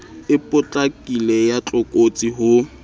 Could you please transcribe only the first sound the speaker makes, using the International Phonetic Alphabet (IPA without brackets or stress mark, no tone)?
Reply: ɪ